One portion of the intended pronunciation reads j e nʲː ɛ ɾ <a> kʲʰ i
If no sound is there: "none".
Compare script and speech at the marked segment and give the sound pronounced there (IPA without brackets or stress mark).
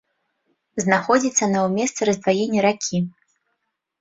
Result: a